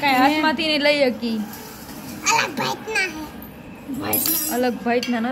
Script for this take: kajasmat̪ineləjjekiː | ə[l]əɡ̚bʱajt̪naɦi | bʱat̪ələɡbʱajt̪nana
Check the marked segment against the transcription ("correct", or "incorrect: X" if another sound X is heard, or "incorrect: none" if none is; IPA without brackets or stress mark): correct